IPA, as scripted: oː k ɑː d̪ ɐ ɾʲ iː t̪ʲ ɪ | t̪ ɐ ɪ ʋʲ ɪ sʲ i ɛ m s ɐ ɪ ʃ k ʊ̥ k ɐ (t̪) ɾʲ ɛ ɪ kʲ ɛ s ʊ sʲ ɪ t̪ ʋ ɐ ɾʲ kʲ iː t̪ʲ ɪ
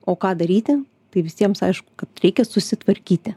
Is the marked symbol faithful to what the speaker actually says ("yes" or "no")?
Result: yes